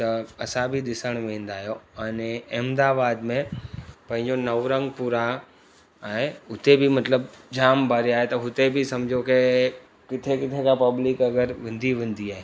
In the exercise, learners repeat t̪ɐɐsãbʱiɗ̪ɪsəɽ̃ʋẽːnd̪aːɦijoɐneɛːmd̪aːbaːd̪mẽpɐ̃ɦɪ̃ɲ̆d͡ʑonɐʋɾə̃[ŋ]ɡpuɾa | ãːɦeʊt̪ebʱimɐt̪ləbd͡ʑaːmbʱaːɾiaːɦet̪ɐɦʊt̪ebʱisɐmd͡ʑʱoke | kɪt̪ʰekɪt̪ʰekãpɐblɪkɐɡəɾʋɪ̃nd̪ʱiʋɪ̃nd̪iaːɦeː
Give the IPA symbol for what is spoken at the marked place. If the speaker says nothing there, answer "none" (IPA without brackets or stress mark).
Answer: ŋ